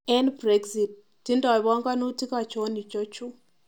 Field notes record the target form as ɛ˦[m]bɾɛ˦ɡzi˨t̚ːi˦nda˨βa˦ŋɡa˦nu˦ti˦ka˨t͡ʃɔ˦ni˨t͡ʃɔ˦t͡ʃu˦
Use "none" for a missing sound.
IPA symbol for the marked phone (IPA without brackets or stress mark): n